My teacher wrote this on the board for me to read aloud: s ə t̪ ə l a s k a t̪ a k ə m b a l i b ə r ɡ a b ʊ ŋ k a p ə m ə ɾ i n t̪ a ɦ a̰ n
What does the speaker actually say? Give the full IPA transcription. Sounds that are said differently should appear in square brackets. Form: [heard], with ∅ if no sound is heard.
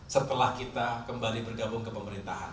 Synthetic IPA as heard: s ə t̪ ə l a [h] k [i] t̪ a k ə m b a l i b ə r ɡ a b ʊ ŋ k [ə] p ə m ə ɾ i n t̪ a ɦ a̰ n